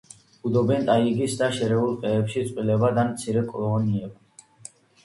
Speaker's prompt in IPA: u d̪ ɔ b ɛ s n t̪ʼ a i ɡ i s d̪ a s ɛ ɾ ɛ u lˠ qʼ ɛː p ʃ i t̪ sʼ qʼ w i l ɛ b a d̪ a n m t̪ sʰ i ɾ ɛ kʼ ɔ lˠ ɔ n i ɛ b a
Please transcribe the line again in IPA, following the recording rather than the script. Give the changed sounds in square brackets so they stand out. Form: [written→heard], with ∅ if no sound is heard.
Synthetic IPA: u d̪ ɔ b ɛ [s→∅] n t̪ʼ a i ɡ i s d̪ a [s→ʃ] ɛ ɾ ɛ u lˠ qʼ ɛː p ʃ i t̪ sʼ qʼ w i l ɛ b a d̪ a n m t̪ sʰ i ɾ ɛ kʼ ɔ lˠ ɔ n i ɛ b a